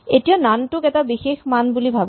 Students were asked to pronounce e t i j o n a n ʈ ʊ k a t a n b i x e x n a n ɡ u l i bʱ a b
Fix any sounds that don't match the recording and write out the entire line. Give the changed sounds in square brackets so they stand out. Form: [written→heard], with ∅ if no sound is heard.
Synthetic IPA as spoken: e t i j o n a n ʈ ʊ k [a→ɛ] t a [n→∅] b i x e x [n→m] a n [ɡ→b] u l i bʱ a b